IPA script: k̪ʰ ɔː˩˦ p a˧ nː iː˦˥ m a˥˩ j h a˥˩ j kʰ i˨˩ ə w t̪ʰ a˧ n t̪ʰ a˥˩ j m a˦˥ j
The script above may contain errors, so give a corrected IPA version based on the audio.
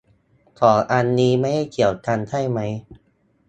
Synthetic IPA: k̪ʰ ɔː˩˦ ʔ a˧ nː iː˦˥ m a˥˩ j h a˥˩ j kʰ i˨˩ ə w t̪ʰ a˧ n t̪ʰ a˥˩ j m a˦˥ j